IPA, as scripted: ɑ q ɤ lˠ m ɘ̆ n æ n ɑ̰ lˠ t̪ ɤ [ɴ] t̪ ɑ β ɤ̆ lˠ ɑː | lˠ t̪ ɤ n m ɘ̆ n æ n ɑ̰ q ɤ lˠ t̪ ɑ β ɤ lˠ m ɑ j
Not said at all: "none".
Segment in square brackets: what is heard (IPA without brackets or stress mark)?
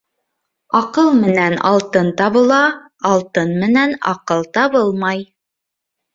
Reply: n